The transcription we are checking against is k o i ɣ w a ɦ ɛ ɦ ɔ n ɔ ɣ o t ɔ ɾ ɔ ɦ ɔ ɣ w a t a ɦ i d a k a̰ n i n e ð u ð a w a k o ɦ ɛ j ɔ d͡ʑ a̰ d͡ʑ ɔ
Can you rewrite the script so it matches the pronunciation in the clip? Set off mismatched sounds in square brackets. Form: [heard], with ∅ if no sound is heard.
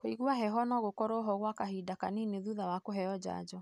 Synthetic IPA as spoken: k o i ɣ w a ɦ ɛ ɦ ɔ n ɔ ɣ o [k] ɔ ɾ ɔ ɦ ɔ ɣ w a [k] a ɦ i d a k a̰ n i n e ð u ð a w a k o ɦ ɛ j ɔ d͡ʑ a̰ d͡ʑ ɔ